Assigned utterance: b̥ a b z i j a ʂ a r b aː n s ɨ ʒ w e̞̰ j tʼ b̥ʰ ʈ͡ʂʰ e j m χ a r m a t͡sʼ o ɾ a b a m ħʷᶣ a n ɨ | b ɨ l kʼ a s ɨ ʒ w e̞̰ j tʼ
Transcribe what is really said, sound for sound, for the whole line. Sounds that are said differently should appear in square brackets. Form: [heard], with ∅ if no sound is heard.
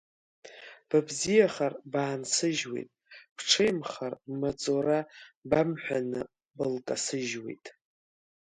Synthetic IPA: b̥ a b z i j a [χ] a r b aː n s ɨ ʒ w e̞̰ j tʼ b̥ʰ ʈ͡ʂʰ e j m χ a r m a t͡sʼ o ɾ a b a m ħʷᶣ a n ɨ | b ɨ l kʼ a s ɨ ʒ w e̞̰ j tʼ